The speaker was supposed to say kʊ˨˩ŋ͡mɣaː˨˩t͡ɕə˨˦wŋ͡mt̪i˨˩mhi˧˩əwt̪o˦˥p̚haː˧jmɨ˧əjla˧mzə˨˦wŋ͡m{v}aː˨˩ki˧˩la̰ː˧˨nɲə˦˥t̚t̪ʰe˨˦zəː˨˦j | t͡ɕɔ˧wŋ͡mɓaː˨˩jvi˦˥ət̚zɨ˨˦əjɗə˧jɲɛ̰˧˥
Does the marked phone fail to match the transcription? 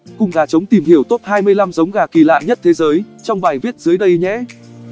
yes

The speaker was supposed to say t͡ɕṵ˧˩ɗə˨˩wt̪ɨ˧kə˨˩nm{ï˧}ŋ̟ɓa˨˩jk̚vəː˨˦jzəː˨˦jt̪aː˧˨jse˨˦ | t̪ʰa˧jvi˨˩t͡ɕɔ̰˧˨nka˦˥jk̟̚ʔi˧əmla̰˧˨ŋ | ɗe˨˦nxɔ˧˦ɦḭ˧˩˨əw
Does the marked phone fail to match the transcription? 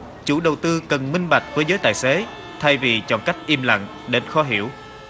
no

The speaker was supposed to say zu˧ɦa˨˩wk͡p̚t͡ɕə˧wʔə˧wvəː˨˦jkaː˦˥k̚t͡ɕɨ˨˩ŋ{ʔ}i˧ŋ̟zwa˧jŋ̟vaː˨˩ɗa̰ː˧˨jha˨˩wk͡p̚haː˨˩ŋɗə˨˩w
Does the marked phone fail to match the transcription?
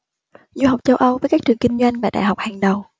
yes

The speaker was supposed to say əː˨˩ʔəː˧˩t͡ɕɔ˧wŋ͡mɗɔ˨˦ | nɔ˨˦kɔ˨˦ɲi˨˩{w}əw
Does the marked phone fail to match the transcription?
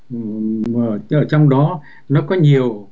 yes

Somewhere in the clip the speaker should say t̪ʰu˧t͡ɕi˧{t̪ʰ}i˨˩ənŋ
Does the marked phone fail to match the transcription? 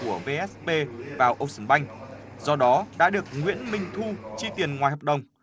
yes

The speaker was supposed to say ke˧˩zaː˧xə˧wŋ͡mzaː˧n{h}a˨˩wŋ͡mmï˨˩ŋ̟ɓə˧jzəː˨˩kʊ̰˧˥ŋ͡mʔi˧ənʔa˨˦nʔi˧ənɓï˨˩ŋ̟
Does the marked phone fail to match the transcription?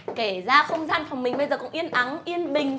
yes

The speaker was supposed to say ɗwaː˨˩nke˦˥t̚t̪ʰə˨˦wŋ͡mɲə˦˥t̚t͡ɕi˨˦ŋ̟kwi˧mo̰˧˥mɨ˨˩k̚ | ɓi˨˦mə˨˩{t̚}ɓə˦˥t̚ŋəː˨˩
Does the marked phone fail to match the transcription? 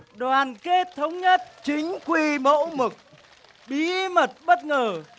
no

